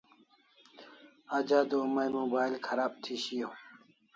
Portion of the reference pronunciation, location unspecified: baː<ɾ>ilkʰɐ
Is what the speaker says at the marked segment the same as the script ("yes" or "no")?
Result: no